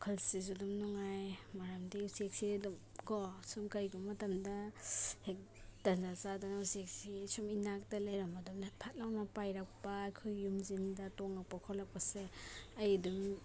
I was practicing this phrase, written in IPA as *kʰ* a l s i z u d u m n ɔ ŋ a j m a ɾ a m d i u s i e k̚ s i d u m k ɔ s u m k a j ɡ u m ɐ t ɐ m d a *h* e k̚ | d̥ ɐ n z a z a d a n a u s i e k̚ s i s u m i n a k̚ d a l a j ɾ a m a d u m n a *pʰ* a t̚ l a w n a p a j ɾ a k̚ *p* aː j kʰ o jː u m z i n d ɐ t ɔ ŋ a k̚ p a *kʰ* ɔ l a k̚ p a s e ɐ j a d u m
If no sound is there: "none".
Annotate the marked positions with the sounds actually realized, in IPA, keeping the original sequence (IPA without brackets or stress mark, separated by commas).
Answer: kʰ, h, pʰ, p, kʰ